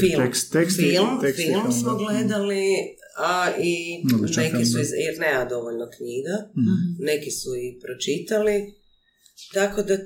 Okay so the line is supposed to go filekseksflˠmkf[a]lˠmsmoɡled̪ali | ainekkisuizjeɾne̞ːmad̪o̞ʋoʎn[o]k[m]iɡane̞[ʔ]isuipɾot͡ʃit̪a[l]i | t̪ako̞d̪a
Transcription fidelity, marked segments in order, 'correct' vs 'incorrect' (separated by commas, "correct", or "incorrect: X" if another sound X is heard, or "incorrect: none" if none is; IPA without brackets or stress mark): incorrect: i, correct, incorrect: ɲ, incorrect: k, correct